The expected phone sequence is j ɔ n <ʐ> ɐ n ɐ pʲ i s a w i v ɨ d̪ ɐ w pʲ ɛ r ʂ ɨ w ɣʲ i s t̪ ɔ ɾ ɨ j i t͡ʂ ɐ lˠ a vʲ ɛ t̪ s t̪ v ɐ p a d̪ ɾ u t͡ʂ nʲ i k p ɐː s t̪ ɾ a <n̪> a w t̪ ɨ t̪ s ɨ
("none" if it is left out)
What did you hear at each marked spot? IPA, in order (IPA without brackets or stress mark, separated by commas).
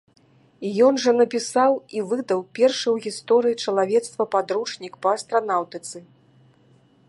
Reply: ʐ, n̪